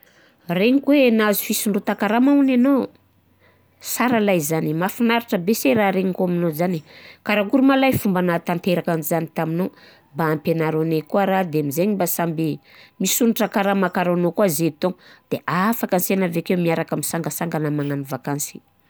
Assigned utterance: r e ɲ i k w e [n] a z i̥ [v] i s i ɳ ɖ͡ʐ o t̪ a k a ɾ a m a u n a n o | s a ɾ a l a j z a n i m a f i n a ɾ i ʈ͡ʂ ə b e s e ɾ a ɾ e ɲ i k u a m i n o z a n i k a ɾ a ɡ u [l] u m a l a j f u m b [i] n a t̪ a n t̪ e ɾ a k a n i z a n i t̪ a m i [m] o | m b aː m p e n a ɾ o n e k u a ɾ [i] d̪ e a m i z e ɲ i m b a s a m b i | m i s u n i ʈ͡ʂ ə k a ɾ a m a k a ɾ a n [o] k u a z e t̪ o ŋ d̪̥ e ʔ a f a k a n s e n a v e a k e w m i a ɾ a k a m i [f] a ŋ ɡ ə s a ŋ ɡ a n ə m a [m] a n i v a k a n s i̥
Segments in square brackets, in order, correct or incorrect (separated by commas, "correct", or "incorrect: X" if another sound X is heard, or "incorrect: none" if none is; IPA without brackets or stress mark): correct, incorrect: f, incorrect: ɾ, incorrect: a, incorrect: n, incorrect: a, correct, incorrect: s, incorrect: ŋ